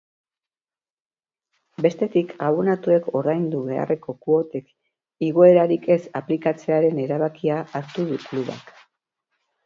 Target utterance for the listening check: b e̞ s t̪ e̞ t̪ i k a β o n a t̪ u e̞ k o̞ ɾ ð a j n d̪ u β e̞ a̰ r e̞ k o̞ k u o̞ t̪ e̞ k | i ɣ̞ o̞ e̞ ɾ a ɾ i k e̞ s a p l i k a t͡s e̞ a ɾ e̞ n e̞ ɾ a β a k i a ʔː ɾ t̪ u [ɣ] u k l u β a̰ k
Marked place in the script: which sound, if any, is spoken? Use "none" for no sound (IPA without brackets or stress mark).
ð